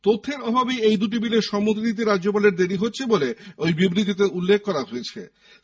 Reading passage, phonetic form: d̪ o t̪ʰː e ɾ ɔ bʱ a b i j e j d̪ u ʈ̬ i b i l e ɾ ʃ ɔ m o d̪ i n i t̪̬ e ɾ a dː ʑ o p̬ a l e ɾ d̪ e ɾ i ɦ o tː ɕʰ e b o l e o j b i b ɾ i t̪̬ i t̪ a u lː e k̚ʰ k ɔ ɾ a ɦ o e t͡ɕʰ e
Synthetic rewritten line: t̪ o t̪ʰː e ɾ ɔ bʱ a b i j e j d̪ u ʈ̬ i b i l e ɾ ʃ ɔ m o t̪ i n i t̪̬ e ɾ a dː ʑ o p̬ a l e ɾ d̪ e ɾ i ɦ o tː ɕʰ e b o l e o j b i b ɾ i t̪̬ i t̪ e u lː e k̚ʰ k ɔ ɾ a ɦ o e t͡ɕʰ e

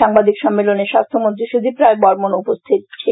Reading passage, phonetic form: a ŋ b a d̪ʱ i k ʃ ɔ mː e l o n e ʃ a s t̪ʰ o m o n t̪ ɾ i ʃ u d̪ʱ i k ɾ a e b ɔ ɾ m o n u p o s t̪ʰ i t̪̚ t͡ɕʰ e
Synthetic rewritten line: a ŋ b a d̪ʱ i k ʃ ɔ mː e l o n e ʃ a s t̪ʰ o m o n t̪ ɾ i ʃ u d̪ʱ i p ɾ a e b ɔ ɾ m o n u p o s t̪ʰ i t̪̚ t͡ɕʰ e

